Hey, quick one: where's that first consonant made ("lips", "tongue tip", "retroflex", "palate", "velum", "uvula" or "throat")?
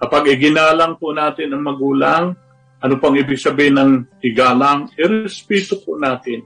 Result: velum